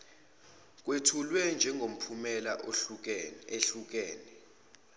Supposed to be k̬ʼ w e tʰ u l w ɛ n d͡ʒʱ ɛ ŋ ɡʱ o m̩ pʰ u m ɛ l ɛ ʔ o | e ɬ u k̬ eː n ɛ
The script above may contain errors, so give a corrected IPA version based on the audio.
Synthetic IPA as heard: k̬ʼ w e tʰ u l w ɛ n d͡ʒʱ ɛ ŋ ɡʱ o m̩ pʰ u m ɛ l a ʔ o | e ɬ u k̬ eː n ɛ